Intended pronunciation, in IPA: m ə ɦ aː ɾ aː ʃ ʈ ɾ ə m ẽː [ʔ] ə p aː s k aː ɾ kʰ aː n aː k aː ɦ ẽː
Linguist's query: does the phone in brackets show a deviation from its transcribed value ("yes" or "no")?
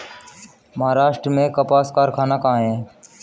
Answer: yes